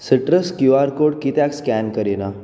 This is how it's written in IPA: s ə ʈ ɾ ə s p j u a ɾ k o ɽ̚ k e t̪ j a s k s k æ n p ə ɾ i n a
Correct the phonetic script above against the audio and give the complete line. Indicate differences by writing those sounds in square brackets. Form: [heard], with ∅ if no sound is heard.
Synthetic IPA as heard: s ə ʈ ɾ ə s [k] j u a ɾ k o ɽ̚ k [i] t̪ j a [∅] k s k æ n [k] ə ɾ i n a